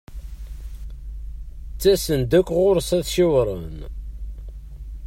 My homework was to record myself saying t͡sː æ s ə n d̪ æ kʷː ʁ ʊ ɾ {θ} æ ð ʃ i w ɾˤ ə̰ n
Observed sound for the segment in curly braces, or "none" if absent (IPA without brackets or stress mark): s